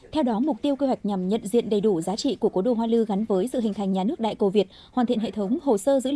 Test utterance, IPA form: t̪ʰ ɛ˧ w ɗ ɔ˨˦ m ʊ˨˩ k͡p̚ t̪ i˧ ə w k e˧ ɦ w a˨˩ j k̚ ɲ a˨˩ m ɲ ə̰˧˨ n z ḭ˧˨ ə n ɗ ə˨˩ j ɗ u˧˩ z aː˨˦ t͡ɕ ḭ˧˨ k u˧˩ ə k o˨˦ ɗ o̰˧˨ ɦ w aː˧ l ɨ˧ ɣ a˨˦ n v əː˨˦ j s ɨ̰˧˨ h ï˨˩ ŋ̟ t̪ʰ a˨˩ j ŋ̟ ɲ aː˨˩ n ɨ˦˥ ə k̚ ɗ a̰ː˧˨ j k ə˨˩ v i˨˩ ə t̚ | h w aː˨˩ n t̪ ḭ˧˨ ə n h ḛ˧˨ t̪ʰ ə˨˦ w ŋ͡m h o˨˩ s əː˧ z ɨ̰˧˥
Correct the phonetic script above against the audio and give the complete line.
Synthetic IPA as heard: t̪ʰ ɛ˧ w ɗ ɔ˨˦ m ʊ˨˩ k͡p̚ t̪ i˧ ə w k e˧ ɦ w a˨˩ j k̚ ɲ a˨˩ m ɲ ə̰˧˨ n z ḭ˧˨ ə n ɗ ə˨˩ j ɗ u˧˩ z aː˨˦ t͡ɕ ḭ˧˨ k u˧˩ ə k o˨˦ ɗ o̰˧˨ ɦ w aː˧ l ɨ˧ ɣ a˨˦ n v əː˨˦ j s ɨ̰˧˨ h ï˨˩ ŋ̟ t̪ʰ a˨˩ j ŋ̟ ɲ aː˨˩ n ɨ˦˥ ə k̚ ɗ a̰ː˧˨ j k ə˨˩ v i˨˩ ə t̚ | h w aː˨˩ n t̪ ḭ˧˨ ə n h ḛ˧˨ t̪ʰ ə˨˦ w ŋ͡m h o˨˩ s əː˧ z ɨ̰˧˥